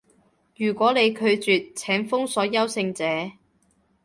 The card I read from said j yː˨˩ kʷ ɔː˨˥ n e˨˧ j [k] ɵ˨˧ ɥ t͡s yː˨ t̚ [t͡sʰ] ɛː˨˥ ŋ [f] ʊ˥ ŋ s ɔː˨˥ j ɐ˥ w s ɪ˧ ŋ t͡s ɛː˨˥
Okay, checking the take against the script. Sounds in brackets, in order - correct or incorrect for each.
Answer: incorrect: kʰ, correct, correct

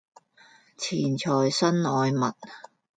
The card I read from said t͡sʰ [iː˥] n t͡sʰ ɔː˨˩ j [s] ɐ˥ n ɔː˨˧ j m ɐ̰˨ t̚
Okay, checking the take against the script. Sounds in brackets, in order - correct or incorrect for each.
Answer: incorrect: iː˨˩, correct

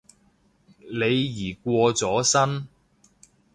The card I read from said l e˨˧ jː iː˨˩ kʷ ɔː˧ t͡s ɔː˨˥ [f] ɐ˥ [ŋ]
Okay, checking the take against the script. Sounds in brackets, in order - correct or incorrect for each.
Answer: incorrect: s, incorrect: n

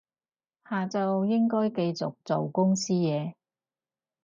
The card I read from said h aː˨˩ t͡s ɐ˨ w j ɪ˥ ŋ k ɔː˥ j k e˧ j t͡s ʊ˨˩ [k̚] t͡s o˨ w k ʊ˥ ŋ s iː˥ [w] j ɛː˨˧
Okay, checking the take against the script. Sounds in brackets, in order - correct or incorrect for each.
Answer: correct, incorrect: none

